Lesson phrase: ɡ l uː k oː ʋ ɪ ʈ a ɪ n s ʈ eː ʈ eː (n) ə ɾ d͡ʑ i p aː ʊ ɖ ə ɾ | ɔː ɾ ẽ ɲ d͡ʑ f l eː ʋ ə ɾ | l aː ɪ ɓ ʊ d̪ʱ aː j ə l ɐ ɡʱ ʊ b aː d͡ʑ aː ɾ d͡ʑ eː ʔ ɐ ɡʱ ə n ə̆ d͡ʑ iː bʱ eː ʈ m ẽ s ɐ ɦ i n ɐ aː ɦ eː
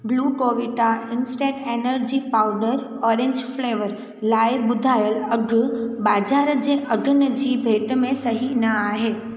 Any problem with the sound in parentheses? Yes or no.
no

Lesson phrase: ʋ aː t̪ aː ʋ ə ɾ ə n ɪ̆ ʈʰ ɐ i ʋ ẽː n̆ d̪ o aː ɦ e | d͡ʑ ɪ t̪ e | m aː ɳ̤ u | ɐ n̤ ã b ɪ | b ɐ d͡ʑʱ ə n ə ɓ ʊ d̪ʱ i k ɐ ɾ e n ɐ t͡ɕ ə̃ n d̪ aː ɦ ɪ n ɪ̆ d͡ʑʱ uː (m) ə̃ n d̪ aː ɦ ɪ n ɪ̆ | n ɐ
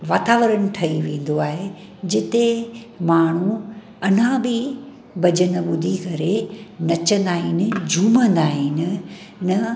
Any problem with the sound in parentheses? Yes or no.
no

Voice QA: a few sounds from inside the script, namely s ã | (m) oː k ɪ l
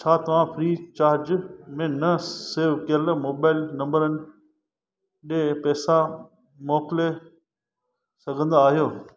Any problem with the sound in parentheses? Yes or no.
no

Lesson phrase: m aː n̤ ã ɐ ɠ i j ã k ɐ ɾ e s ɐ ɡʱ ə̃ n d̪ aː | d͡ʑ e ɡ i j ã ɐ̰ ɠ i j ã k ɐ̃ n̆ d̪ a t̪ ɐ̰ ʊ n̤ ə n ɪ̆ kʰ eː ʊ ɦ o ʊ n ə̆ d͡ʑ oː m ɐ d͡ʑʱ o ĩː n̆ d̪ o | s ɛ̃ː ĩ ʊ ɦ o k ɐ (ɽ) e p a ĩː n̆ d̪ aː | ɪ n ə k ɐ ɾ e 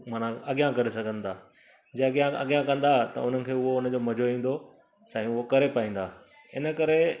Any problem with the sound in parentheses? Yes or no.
yes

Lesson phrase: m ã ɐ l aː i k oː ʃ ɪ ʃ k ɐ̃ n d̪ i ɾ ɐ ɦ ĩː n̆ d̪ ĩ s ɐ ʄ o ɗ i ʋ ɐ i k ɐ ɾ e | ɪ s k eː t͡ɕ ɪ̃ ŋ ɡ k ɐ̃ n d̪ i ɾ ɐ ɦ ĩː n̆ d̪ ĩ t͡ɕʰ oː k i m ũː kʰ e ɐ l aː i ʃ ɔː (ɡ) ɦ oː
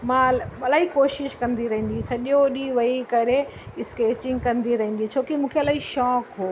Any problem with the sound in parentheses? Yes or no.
yes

